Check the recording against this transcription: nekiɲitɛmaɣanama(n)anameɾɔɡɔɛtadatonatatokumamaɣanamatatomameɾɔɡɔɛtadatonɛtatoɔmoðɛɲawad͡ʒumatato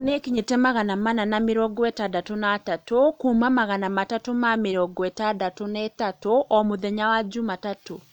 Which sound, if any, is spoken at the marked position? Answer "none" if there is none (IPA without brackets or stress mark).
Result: n